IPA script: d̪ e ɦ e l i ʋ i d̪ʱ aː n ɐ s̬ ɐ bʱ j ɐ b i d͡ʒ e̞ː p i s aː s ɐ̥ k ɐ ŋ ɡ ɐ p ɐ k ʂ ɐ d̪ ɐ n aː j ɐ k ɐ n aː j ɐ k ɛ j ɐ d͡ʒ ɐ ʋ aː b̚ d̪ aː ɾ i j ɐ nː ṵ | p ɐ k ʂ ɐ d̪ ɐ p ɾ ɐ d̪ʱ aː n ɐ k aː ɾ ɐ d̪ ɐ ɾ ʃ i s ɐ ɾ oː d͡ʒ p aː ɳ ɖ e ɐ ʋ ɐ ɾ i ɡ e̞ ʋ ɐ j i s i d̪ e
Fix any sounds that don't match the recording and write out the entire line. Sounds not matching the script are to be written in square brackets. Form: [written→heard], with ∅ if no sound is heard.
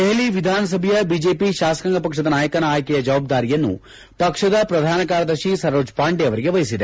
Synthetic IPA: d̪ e ɦ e l i ʋ i d̪ʱ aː n ɐ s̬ ɐ bʱ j ɐ b i d͡ʒ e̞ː p i [s→ʃ] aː s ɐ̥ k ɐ ŋ ɡ ɐ p ɐ k ʂ ɐ d̪ ɐ n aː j ɐ k ɐ n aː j ɐ k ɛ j ɐ d͡ʒ ɐ ʋ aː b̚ d̪ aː ɾ i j ɐ nː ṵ | p ɐ k ʂ ɐ d̪ ɐ p ɾ ɐ d̪ʱ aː n ɐ k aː ɾ ɐ d̪ ɐ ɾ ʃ i s ɐ ɾ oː d͡ʒ p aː ɳ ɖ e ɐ ʋ ɐ ɾ i ɡ e̞ ʋ ɐ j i s i d̪ e

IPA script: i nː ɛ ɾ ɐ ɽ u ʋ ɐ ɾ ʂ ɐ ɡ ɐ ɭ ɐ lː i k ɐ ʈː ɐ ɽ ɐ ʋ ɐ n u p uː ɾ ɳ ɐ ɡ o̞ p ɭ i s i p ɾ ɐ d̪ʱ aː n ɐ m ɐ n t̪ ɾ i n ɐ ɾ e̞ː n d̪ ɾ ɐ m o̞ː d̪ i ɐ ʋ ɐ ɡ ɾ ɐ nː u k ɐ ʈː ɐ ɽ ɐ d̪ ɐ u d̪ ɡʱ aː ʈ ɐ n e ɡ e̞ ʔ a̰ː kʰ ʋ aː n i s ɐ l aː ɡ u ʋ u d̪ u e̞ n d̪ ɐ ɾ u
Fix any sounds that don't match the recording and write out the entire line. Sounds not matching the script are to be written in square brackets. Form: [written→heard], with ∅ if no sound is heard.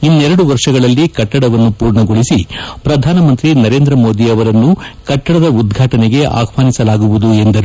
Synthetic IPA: i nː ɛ ɾ ɐ ɽ u ʋ ɐ ɾ ʂ ɐ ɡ ɐ ɭ ɐ lː i k ɐ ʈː ɐ ɽ ɐ ʋ ɐ [n→nː] u p uː ɾ ɳ ɐ ɡ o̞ [p→∅] ɭ i s i p ɾ ɐ d̪ʱ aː n ɐ m ɐ n t̪ ɾ i n ɐ ɾ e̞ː n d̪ ɾ ɐ m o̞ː d̪ i ɐ ʋ ɐ [ɡ→∅] ɾ ɐ nː u k ɐ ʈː ɐ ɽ ɐ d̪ ɐ u d̪ ɡʱ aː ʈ ɐ n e ɡ e̞ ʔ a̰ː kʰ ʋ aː n i s ɐ l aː ɡ u ʋ u d̪ u e̞ n d̪ ɐ ɾ u

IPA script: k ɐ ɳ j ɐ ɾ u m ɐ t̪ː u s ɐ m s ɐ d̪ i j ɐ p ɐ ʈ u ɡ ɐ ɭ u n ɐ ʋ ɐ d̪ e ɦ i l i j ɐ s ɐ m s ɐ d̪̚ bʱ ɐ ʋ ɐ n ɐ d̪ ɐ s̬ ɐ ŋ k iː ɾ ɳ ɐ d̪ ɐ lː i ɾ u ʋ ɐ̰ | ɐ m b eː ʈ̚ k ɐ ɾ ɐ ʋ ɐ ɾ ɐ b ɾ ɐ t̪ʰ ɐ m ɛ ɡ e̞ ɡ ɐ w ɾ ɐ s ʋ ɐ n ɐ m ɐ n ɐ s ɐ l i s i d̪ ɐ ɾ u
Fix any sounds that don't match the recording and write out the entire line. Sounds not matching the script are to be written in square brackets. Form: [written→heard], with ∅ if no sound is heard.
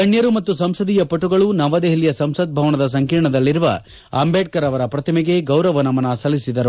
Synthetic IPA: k ɐ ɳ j ɐ ɾ u m ɐ t̪ː u s ɐ m s ɐ d̪ i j ɐ p ɐ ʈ u ɡ ɐ ɭ u n ɐ ʋ ɐ d̪ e ɦ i l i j ɐ s ɐ m s ɐ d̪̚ bʱ ɐ ʋ ɐ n ɐ d̪ ɐ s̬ ɐ ŋ k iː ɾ ɳ ɐ d̪ ɐ lː i ɾ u ʋ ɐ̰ | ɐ m b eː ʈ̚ k ɐ ɾ ɐ ʋ ɐ ɾ ɐ [b→p] ɾ ɐ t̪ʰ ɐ m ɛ ɡ e̞ ɡ ɐ w ɾ ɐ [s→∅] ʋ ɐ n ɐ m ɐ n ɐ s ɐ l i s i d̪ ɐ ɾ u

